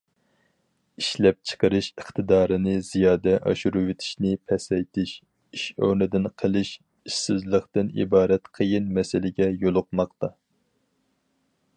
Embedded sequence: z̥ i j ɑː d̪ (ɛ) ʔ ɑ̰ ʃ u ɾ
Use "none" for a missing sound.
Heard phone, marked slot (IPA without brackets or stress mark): ɛ